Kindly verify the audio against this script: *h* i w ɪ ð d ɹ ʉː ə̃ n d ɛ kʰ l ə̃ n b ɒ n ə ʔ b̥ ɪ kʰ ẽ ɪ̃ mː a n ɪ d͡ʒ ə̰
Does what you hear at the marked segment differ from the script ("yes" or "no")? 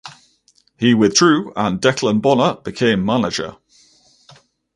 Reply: no